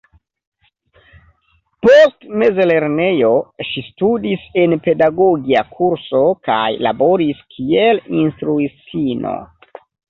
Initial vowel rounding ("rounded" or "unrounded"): rounded